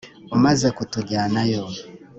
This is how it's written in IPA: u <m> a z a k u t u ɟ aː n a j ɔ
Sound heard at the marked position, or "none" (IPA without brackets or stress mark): m